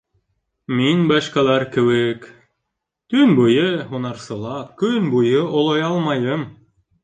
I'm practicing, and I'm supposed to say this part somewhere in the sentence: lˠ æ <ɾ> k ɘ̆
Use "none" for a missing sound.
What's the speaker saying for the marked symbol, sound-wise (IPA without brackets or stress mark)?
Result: ɾ